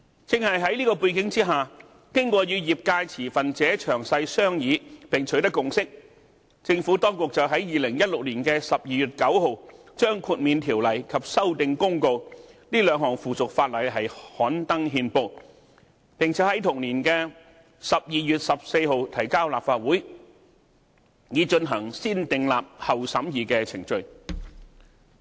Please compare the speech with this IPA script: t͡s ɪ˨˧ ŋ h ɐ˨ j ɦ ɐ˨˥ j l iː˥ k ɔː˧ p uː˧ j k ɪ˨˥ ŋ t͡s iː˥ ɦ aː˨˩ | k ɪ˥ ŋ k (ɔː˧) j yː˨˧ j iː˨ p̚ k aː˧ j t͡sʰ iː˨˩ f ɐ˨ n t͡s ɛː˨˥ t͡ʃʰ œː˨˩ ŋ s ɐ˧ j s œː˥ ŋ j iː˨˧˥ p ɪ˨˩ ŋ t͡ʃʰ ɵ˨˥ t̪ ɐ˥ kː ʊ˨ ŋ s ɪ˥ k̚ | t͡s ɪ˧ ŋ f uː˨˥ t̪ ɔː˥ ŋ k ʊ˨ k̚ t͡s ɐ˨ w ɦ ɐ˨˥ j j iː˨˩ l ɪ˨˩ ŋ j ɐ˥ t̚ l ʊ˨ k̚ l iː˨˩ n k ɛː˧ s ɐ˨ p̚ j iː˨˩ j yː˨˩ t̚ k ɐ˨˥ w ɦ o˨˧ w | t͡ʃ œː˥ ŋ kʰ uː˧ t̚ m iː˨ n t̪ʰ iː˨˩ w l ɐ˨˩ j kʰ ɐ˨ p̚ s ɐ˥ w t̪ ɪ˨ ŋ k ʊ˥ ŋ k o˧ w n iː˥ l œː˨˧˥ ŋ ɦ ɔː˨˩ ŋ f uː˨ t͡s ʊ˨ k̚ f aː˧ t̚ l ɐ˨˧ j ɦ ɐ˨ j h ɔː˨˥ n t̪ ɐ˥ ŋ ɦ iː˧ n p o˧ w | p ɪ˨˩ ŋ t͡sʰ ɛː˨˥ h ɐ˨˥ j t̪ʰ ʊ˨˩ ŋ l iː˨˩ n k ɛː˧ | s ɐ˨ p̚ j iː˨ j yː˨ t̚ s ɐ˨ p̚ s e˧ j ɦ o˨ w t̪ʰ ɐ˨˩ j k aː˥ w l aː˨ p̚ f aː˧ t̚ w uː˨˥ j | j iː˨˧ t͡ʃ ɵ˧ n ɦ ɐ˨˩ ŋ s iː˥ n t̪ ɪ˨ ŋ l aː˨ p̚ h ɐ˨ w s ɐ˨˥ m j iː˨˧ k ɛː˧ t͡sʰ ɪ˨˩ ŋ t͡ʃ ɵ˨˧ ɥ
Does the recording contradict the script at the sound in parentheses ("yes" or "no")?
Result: no